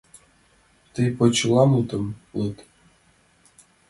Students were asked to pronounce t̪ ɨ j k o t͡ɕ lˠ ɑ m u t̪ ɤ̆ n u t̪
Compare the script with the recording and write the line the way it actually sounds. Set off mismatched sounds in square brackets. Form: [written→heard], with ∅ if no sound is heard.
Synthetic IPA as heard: t̪ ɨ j [k→p] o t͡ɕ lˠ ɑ m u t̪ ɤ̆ [n→m] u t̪